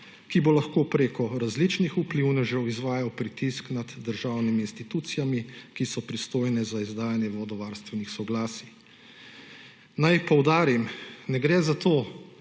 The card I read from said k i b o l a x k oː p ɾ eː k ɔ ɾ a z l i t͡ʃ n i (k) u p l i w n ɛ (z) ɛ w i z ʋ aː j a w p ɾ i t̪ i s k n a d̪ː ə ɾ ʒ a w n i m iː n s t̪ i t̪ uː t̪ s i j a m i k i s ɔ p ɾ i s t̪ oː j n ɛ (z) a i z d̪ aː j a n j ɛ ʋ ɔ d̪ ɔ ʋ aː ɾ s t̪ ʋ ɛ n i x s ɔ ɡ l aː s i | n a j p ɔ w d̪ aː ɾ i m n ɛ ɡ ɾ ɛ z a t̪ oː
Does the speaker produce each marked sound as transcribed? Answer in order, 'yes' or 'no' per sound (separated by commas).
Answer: no, no, yes